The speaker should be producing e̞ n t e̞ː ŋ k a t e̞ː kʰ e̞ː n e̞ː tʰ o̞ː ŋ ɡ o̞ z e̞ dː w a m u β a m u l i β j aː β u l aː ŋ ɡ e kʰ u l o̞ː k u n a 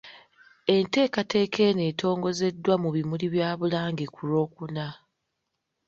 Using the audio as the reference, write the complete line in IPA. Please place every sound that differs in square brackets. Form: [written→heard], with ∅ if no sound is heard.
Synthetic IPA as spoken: e̞ n t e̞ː [ŋ→∅] k a t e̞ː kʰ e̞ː n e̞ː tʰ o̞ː ŋ ɡ o̞ z e̞ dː w a m u β [a→i] m u l i β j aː β u l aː ŋ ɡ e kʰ u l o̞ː k u n a